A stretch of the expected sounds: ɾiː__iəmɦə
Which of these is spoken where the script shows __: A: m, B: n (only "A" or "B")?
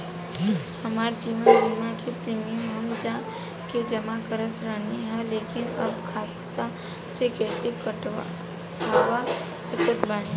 A